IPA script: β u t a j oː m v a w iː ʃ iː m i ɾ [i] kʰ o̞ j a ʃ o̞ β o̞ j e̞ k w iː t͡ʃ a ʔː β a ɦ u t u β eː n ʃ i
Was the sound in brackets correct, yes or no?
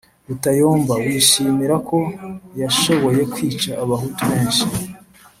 no